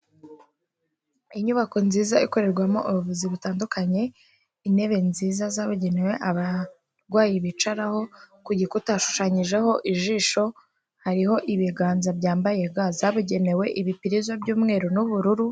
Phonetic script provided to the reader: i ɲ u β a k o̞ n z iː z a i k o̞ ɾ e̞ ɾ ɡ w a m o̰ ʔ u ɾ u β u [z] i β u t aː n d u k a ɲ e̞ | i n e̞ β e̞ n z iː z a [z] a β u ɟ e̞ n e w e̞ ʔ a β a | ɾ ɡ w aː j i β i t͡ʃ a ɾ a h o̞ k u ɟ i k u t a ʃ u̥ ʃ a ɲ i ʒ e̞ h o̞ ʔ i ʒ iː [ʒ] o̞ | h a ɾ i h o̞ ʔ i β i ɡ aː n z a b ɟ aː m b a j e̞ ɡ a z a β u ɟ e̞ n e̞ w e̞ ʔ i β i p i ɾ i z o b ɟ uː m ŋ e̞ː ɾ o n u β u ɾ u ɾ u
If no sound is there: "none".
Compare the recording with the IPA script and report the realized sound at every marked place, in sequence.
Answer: z, z, ʃ

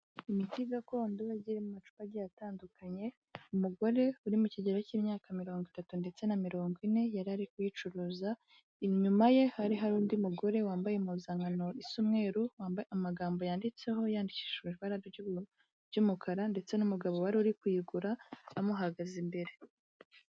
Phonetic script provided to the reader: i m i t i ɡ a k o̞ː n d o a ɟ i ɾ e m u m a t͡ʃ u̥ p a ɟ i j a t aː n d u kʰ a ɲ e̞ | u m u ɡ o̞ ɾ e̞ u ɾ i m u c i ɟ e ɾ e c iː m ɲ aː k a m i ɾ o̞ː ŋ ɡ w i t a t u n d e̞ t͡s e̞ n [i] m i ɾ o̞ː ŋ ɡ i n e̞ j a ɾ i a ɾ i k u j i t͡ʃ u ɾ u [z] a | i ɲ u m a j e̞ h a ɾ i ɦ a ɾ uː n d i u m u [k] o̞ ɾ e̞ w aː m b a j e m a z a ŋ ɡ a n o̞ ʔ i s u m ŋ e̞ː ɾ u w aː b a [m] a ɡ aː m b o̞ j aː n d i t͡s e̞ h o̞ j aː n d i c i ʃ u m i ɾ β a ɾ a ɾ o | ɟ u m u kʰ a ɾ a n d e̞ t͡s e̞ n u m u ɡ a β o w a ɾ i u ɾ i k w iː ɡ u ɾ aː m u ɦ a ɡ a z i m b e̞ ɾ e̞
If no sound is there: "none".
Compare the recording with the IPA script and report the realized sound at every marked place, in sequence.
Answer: a, z, ɡ, m

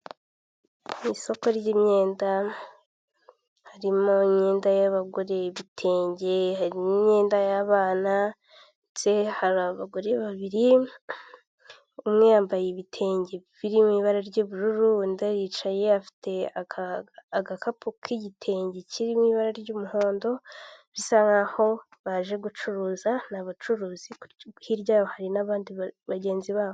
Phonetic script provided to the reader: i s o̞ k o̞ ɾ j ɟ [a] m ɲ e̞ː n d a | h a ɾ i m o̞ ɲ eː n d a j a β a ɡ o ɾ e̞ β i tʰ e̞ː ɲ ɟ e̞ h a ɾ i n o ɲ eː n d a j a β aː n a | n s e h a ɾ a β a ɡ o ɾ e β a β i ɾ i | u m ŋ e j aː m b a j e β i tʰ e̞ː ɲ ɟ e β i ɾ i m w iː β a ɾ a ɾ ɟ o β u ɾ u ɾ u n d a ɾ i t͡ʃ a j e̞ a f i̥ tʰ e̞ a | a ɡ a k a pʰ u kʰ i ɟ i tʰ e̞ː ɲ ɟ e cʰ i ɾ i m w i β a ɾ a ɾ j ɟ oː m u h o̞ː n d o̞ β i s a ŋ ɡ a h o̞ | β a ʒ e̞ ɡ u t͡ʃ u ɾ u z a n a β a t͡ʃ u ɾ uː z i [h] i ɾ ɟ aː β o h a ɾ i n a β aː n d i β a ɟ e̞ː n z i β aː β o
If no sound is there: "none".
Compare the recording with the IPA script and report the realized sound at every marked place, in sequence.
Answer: i, h

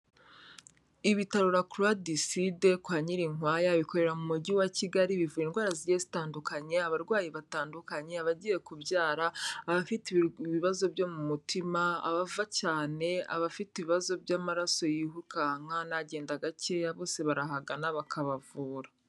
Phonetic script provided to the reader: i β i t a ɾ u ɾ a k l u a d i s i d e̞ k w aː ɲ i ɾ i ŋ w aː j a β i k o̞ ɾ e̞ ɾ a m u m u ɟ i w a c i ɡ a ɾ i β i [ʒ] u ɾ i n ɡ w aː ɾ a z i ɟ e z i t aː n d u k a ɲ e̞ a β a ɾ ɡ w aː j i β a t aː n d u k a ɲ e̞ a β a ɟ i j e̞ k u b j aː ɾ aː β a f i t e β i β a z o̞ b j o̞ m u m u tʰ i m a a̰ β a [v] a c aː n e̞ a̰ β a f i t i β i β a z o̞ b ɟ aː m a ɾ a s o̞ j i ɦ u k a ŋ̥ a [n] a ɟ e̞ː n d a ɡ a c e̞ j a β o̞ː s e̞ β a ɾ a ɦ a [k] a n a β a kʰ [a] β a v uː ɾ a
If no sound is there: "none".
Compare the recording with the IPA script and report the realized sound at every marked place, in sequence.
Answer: v, v, n, ɡ, a

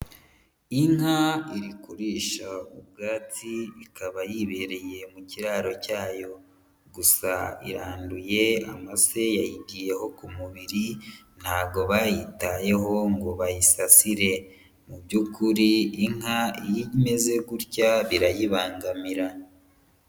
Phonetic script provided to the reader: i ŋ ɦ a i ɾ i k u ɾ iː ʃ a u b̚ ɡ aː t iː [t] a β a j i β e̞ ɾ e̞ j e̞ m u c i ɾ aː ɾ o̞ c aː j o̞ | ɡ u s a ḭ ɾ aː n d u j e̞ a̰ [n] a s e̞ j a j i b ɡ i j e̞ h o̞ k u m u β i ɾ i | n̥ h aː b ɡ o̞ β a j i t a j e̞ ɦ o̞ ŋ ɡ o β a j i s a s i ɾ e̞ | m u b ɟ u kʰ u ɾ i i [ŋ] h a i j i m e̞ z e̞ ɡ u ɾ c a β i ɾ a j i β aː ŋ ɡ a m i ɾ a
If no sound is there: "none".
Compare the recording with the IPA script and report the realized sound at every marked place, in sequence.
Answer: k, m, ŋ

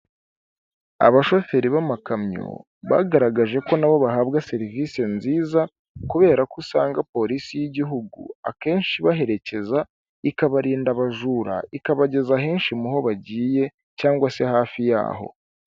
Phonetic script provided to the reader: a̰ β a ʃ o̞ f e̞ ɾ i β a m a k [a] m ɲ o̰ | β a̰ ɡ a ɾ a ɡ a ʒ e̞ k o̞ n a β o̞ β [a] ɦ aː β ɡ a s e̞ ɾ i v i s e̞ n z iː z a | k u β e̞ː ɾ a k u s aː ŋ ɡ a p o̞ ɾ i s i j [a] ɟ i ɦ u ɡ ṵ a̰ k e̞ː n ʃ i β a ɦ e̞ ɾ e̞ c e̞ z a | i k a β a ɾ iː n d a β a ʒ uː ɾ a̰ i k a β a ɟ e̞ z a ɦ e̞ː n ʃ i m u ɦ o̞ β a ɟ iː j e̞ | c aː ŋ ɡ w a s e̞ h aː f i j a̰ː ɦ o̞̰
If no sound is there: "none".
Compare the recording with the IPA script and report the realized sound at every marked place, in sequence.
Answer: a, a, i

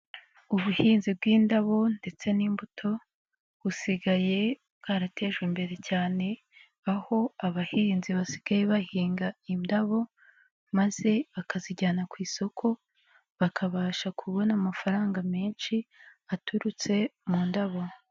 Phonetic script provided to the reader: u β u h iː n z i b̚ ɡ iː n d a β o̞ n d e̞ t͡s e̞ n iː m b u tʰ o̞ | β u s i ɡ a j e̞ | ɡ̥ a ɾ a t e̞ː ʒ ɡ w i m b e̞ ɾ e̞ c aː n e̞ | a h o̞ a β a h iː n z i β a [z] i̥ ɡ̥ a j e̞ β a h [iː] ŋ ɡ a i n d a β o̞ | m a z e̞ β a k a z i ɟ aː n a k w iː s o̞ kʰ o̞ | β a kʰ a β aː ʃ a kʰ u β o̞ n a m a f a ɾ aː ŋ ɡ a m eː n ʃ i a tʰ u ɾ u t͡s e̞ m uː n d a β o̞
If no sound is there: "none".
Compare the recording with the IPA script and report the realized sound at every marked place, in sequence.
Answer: s, iː

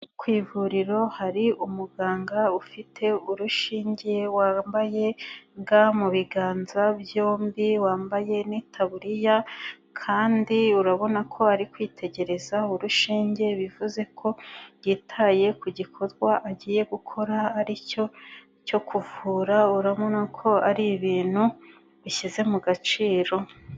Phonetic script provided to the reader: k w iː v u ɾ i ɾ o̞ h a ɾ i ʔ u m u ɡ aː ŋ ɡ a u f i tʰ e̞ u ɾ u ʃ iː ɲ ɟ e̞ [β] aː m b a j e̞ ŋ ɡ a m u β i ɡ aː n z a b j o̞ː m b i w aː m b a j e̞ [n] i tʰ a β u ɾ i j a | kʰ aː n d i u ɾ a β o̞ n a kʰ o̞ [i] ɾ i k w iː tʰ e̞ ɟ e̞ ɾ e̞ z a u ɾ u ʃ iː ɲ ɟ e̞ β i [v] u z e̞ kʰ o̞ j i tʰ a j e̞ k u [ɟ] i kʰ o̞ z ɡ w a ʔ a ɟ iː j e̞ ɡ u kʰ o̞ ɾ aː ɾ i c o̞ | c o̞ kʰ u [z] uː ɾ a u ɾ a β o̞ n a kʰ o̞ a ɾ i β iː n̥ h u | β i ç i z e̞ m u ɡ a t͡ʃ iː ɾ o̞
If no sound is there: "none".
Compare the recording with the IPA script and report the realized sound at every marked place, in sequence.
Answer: w, n, a, v, ɟ, v

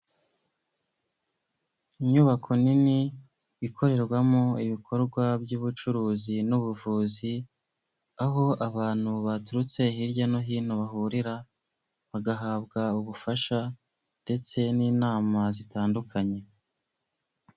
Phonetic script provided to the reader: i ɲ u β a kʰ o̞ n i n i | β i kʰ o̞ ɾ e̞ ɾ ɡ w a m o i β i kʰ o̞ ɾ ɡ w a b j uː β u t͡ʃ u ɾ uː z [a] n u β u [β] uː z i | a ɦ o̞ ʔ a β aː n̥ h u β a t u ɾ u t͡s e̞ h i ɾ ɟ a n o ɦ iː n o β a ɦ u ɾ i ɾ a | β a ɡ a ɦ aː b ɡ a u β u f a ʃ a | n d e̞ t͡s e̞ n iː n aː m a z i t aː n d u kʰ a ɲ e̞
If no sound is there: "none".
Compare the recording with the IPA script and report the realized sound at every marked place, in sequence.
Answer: i, v

